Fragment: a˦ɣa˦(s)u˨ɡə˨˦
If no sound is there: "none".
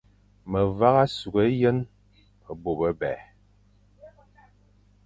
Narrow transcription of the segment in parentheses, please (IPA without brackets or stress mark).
s